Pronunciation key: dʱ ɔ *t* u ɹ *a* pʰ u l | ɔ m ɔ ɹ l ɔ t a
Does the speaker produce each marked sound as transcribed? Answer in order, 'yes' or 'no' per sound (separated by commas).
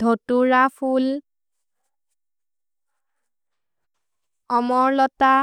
yes, yes